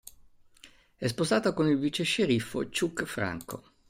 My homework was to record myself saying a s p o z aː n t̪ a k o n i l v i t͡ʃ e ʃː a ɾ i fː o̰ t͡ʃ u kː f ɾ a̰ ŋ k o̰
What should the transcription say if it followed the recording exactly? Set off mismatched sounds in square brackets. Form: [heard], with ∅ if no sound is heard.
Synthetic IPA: [ɛ] s p o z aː [∅] t̪ a k o n i l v i t͡ʃ e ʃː [e] ɾ i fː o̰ t͡ʃ u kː f ɾ a̰ ŋ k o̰